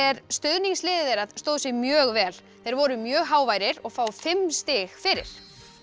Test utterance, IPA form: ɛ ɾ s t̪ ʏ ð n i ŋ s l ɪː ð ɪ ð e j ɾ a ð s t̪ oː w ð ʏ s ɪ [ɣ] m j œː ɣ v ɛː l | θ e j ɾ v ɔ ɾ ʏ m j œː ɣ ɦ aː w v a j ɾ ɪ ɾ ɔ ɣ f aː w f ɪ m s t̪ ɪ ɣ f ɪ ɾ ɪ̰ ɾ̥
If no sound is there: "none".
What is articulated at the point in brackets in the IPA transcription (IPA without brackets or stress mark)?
ɣ